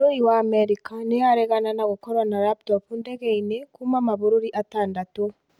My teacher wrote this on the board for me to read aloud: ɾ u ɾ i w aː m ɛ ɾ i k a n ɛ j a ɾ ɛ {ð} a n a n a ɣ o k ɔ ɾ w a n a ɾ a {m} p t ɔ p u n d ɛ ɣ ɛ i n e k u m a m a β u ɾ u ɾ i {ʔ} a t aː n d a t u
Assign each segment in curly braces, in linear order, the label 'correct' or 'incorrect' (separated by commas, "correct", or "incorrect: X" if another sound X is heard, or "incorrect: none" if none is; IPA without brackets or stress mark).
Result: incorrect: ɣ, incorrect: none, correct